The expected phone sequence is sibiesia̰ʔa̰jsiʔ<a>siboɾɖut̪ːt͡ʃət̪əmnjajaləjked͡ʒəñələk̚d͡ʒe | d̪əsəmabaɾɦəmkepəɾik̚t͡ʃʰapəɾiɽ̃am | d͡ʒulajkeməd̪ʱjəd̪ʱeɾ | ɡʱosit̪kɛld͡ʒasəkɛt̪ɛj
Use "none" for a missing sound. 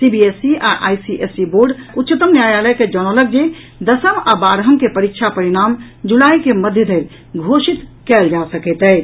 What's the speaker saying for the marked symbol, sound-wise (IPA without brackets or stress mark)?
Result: e